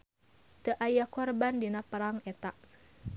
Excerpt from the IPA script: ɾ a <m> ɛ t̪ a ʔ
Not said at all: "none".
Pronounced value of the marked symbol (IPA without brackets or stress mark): ŋ